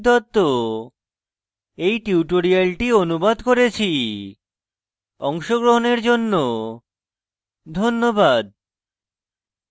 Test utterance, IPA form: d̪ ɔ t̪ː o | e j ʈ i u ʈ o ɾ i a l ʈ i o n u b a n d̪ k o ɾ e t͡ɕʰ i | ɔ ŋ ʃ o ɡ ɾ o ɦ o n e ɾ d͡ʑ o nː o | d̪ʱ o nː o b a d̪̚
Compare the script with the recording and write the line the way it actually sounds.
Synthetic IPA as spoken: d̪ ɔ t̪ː o | e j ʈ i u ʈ o ɾ i a l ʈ i o n u b a d̪ k o ɾ e t͡ɕʰ i | ɔ ŋ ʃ o ɡ ɾ o ɦ o n e ɾ d͡ʑ o nː o | d̪ʱ o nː o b a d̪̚